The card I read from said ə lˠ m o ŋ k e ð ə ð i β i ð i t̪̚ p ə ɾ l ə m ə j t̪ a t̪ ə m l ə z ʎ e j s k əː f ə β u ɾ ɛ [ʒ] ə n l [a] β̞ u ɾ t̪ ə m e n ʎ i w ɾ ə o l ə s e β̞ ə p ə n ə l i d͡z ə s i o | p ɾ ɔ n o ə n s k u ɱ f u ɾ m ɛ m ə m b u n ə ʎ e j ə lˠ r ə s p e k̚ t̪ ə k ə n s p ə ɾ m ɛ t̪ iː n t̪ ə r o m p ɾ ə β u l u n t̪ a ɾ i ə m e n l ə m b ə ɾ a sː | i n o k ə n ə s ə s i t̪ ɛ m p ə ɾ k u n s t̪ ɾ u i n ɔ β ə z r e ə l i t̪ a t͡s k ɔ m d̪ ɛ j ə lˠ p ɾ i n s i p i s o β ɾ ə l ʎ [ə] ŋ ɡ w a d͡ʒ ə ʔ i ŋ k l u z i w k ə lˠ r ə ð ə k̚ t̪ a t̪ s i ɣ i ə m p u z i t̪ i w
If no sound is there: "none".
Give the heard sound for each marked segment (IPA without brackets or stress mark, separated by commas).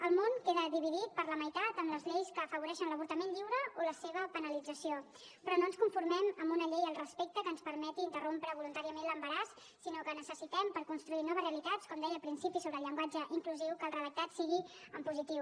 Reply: ʃ, ə, ə